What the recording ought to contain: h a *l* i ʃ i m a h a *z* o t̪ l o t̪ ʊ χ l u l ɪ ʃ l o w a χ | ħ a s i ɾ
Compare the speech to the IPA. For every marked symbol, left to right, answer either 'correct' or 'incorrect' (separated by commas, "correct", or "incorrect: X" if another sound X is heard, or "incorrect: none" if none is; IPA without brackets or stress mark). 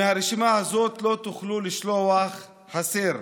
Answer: incorrect: ɾ, correct